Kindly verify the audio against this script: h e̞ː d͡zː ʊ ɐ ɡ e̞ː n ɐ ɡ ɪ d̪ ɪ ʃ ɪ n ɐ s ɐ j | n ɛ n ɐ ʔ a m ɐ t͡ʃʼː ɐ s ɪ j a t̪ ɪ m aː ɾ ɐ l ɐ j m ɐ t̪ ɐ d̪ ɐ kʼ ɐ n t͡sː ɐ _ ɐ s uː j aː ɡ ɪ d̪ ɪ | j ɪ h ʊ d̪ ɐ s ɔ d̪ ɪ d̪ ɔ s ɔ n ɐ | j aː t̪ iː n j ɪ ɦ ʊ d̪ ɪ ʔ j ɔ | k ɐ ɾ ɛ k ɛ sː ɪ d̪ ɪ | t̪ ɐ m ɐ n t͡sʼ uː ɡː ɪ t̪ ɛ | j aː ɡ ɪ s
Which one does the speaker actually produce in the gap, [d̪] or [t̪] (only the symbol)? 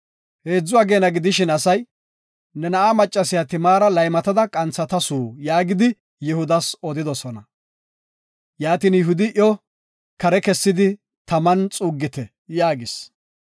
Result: t̪